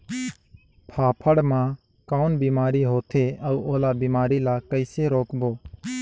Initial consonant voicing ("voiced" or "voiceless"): voiceless